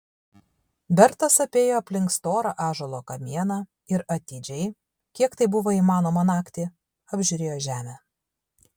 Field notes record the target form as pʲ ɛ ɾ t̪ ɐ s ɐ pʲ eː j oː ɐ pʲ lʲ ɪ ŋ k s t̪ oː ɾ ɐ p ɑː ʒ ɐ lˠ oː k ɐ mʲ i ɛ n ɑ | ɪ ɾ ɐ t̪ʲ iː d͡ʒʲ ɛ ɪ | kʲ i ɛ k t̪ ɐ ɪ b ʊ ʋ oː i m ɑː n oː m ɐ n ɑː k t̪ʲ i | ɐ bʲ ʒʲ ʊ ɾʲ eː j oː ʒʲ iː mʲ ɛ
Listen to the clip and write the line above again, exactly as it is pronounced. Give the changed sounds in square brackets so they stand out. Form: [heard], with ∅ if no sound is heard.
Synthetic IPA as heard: [bʲ] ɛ ɾ t̪ ɐ s ɐ pʲ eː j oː ɐ pʲ lʲ ɪ ŋ k s t̪ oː ɾ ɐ [ʔ] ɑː ʒ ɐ lˠ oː k ɐ mʲ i ɛ n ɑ | ɪ ɾ ɐ t̪ʲ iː d͡ʒʲ ɛ ɪ | kʲ i ɛ k t̪ ɐ ɪ b ʊ ʋ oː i m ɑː n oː m ɐ n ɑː k t̪ʲ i | ɐ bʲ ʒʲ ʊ ɾʲ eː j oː ʒʲ [æː] mʲ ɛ